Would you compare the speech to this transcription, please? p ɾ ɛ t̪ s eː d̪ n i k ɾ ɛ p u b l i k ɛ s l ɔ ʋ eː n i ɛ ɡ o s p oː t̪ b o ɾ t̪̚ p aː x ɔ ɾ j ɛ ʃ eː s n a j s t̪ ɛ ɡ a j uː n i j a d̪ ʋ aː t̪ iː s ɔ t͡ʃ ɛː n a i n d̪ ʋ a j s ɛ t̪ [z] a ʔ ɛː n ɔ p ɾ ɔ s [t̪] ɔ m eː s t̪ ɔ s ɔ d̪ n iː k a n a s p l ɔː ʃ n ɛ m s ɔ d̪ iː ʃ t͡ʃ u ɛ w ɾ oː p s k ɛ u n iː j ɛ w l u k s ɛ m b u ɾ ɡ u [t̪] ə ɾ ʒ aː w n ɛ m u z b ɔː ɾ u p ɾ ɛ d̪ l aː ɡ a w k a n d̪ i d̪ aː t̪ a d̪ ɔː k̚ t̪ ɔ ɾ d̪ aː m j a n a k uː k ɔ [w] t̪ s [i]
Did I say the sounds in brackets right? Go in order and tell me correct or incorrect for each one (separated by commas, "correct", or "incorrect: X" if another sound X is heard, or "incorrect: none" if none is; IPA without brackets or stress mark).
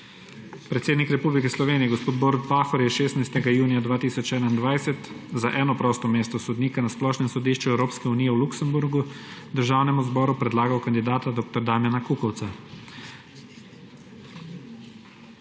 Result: correct, correct, incorrect: d̪, correct, incorrect: a